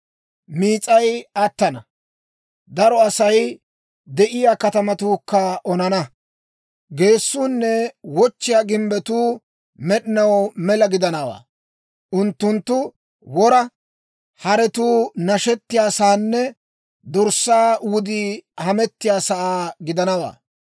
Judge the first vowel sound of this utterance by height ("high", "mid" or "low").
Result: high